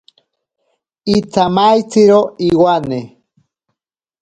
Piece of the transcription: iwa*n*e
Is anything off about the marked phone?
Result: no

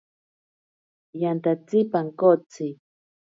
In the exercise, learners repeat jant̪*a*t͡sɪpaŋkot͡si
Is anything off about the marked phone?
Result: no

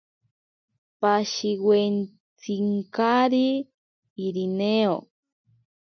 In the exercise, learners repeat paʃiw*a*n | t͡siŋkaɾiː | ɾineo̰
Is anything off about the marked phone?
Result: yes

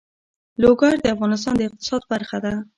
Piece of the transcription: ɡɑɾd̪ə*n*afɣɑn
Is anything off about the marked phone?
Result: yes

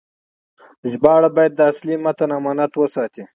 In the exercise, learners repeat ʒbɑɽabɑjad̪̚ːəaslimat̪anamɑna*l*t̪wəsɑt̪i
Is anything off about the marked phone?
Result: yes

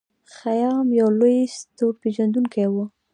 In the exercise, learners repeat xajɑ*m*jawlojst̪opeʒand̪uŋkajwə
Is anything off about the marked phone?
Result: no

